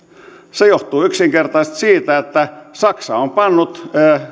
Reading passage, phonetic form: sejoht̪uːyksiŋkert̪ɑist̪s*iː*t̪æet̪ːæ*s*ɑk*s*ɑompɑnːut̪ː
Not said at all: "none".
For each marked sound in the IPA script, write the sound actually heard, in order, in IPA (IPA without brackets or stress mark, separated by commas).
iː, s, s